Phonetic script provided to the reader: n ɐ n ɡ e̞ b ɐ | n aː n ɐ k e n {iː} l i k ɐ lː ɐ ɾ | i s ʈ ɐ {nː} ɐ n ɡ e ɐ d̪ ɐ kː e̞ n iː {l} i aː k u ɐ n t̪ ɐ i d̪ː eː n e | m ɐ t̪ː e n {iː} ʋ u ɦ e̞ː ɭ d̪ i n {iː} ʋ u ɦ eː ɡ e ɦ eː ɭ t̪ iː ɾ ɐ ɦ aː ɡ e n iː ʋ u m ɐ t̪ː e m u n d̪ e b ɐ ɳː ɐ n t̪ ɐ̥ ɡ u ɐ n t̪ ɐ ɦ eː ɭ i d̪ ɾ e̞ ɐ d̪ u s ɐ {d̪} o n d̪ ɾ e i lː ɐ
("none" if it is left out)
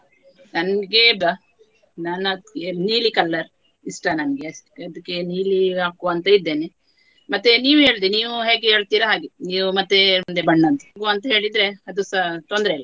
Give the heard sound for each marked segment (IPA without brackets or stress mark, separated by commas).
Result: iː, n, l, iː, iː, t̪